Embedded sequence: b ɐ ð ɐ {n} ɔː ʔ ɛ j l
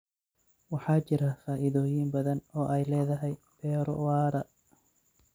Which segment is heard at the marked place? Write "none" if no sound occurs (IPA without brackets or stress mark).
n